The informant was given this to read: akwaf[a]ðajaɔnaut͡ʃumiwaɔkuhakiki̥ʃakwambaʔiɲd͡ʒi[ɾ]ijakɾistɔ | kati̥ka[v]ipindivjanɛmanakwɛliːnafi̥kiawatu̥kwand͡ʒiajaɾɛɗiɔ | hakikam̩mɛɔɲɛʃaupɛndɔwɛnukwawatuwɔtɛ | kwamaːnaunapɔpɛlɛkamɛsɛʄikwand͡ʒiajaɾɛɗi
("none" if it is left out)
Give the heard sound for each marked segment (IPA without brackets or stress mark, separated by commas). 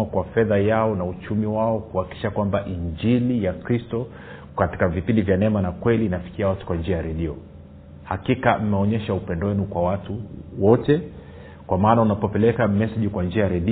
ɛ, l, v